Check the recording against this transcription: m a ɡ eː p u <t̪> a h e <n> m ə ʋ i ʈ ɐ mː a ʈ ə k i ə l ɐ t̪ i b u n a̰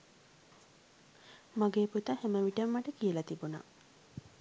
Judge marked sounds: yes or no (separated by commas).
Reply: yes, no